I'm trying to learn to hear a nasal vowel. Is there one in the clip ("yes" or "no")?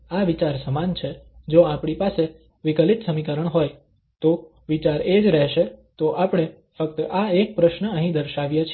yes